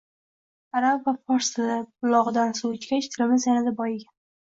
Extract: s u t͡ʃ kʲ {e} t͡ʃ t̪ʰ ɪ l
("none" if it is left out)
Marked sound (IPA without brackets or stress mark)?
a